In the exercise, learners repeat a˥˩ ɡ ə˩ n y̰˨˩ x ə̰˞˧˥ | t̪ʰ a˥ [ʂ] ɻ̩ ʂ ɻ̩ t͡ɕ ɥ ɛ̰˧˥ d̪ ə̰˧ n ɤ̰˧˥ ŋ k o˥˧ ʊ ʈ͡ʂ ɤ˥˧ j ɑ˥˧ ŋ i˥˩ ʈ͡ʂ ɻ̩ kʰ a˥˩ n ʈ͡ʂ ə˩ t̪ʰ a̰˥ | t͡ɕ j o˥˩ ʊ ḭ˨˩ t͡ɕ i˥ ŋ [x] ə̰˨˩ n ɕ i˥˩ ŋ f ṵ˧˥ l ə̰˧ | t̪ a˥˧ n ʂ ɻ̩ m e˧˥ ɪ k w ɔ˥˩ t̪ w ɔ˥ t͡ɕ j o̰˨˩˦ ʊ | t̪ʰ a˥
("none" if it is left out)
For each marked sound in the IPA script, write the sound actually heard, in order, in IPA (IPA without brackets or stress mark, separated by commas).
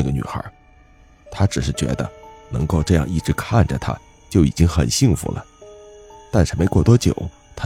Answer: ʈ͡ʂ, x